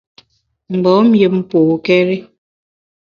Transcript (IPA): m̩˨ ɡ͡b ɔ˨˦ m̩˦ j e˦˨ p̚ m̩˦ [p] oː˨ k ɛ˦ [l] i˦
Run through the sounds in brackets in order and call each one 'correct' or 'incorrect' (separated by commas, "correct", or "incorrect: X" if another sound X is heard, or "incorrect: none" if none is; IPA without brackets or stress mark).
correct, incorrect: ɾ